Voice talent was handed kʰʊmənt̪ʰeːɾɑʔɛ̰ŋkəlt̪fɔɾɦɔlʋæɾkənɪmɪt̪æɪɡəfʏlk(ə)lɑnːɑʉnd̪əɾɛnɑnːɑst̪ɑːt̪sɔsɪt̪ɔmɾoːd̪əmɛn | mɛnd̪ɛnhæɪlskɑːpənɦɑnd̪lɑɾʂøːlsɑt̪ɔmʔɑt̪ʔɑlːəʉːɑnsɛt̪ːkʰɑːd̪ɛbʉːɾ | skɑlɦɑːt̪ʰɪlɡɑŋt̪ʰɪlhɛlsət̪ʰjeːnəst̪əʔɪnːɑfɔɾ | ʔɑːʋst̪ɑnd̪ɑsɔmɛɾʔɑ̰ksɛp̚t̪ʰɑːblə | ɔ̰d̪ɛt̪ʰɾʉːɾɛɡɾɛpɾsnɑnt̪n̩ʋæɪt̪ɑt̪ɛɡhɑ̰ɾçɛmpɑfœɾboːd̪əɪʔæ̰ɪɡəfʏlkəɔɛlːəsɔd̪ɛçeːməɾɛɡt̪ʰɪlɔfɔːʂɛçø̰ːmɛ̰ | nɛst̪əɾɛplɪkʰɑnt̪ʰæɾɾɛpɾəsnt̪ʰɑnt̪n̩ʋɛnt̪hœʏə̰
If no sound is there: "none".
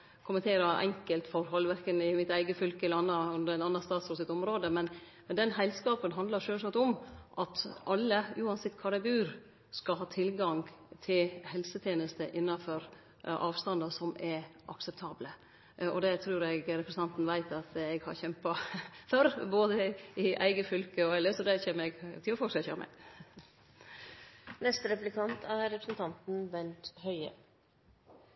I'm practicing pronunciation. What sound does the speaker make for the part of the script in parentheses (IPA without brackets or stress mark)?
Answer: ə